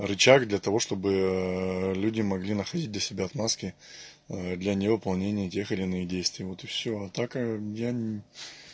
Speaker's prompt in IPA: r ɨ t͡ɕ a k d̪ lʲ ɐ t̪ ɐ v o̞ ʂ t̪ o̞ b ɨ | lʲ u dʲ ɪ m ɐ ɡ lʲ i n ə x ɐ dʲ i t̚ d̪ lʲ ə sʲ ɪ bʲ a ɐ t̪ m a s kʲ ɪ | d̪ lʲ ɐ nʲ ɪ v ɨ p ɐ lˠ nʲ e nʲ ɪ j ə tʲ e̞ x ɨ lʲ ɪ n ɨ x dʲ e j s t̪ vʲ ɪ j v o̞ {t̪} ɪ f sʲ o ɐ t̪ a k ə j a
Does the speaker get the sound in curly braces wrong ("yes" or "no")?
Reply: no